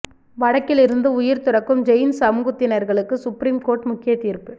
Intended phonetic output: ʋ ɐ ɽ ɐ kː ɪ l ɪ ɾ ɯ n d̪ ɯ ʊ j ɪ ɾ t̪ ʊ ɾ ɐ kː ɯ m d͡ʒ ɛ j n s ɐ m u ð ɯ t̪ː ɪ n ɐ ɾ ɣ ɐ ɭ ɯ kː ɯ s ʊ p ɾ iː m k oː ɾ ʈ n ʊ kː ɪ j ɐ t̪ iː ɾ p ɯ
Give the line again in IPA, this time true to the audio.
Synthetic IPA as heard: ʋ ɐ ɽ ɐ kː ɪ l ɪ ɾ ɯ n d̪ ɯ ʊ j ɪ ɾ t̪ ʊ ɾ ɐ kː ɯ m d͡ʒ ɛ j n s ɐ m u ɣ ɯ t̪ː ɪ n ɐ ɾ ɣ ɐ ɭ ɯ kː ɯ s ʊ p ɾ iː m k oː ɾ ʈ m ʊ kː ɪ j ɐ t̪ iː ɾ p ɯ

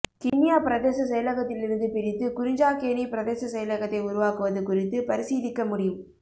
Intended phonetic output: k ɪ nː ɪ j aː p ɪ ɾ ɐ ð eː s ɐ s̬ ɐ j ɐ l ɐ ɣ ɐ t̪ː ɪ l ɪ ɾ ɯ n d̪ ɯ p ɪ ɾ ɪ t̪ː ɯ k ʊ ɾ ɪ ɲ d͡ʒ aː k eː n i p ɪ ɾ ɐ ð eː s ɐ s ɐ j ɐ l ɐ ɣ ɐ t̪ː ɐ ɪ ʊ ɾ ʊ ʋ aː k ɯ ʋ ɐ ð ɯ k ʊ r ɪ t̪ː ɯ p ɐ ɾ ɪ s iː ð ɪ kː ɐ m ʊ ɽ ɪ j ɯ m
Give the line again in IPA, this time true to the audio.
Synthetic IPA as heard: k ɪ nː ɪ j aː p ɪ ɾ ɐ ð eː s ɐ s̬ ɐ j ɐ l ɐ ɣ ɐ t̪ː ɪ l ɪ ɾ ɯ n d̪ ɯ p ɪ ɾ ɪ t̪ː ɯ k ʊ ɾ ɪ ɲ d͡ʒ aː k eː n i p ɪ ɾ ɐ ð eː s ɐ s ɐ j ɐ l ɐ ɣ ɐ t̪ː ɐ ɪ ʊ ɾ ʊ ʋ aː k ɯ ʋ ɐ ð ɯ k ʊ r ɪ t̪ː ɯ p ɐ ɾ ɪ s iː ð ɪ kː ɐ m ʊ ɽ ɪ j ɯ m

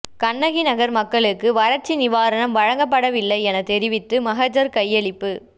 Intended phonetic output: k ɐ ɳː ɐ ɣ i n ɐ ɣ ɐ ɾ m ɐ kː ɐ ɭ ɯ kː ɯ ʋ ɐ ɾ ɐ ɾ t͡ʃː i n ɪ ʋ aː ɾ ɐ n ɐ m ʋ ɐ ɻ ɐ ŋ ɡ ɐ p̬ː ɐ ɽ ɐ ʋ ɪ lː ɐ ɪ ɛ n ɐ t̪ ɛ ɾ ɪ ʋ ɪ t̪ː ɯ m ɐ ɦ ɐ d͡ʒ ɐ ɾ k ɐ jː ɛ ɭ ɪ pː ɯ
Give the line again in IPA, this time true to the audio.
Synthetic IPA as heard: k ɐ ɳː ɐ ɣ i n ɐ ɣ ɐ ɾ m ɐ kː ɐ ɭ ɯ kː ɯ ʋ ɐ ɾ ɐ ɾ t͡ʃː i n ɪ ʋ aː ɾ ɐ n ɐ m ʋ ɐ ɻ ɐ ŋ ɡ ɐ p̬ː ɐ ɽ ɐ ʋ ɪ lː ɐ ɪ ɛ n ɐ t̪ ɛ ɾ ɪ ʋ ɪ t̪ː ɯ m ɐ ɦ ɐ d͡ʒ ɐ ɾ k ɐ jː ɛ ɭ ɪ pː ɯ

